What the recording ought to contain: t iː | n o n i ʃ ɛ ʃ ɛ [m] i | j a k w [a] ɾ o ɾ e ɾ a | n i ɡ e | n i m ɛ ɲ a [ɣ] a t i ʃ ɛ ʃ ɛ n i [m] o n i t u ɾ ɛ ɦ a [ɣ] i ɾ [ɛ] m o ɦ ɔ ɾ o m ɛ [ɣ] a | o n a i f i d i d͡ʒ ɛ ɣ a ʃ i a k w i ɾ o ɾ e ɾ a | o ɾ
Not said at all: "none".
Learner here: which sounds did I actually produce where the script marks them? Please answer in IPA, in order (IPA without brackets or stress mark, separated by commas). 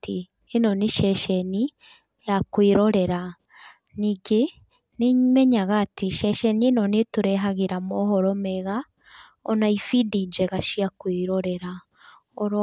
n, i, ɣ, n, ɣ, a, ɣ